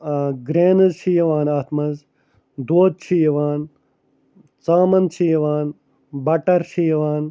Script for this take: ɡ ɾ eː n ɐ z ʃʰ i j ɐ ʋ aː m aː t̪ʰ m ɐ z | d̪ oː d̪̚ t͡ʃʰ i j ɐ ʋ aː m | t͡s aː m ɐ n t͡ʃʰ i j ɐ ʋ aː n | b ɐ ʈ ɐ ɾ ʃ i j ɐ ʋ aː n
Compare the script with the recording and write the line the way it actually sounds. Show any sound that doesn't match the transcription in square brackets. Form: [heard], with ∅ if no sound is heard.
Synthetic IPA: ɡ ɾ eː n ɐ z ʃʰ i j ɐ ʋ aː [n] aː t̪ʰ m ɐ z | d̪ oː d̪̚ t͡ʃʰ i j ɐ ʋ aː [n] | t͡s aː m ɐ n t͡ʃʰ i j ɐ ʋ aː n | b ɐ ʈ ɐ ɾ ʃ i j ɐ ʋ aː n